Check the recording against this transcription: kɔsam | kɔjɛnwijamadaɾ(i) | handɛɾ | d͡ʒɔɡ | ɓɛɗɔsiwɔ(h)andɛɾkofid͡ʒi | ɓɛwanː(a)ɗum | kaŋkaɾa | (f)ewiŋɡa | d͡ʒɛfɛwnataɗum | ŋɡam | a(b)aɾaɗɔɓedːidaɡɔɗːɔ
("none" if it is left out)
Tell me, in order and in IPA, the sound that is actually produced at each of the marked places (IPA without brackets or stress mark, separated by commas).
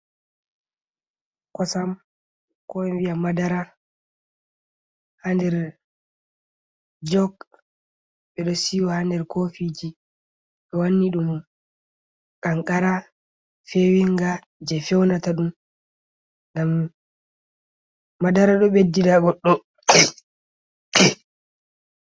a, h, i, f, d